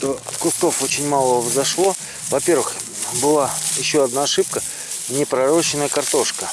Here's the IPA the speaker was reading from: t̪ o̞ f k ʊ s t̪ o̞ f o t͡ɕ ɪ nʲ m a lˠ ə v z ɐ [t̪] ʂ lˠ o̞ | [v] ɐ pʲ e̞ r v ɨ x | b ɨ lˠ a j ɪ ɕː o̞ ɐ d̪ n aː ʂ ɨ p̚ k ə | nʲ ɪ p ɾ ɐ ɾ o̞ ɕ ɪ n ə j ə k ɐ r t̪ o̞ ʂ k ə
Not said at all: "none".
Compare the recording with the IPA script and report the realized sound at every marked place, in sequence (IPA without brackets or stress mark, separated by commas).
none, v